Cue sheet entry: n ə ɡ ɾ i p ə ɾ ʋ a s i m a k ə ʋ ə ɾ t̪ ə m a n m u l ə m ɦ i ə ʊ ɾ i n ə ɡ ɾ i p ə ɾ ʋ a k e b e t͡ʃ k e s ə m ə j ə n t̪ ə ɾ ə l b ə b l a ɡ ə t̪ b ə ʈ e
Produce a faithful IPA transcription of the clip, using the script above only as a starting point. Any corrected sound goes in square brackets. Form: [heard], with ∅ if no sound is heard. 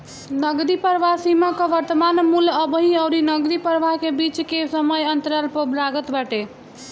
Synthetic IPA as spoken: n ə ɡ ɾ i p ə ɾ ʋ a s i m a k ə ʋ ə ɾ t̪ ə m a n m u l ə [b] ɦ i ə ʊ ɾ i n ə ɡ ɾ i p ə ɾ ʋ a k e b [i] t͡ʃ k e s ə m ə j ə n t̪ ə ɾ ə l [p] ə b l a ɡ ə t̪ b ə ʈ e